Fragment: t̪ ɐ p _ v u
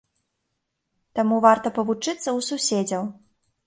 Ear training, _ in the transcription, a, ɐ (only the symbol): ɐ